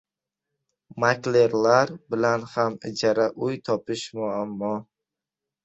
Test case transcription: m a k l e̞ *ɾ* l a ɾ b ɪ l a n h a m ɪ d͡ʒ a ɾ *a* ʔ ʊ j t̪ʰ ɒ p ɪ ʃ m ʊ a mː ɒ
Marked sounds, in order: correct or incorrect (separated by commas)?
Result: correct, correct